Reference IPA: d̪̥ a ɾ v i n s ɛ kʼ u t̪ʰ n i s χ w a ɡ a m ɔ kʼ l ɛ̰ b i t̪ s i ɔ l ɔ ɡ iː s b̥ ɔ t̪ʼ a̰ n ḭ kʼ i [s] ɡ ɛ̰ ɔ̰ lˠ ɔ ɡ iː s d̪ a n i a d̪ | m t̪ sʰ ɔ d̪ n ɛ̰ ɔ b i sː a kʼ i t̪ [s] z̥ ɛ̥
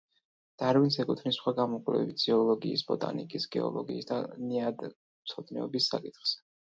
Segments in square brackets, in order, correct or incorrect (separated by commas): correct, incorrect